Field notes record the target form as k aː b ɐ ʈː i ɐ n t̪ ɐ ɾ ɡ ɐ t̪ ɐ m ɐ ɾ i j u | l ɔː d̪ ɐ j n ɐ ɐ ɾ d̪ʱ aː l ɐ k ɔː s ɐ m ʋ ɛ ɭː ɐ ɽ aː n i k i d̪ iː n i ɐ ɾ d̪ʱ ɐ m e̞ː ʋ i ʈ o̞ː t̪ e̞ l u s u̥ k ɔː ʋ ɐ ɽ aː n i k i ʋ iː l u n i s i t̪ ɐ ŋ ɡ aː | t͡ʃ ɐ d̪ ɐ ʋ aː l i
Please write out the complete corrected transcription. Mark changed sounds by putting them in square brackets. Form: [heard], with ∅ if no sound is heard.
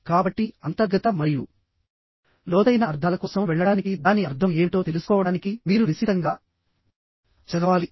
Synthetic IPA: k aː b ɐ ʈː i ɐ n t̪ ɐ ɾ ɡ ɐ t̪ ɐ m ɐ ɾ i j u | l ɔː d̪ ɐ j n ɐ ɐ ɾ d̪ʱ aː l ɐ k ɔː s ɐ m ʋ ɛ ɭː ɐ ɽ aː n i k i d̪ [aː] n i ɐ ɾ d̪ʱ ɐ m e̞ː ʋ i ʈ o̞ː t̪ e̞ l u s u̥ k ɔː ʋ ɐ ɽ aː n i k i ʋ iː [ɾ] u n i s i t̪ ɐ ŋ ɡ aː | t͡ʃ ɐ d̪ ɐ ʋ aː l i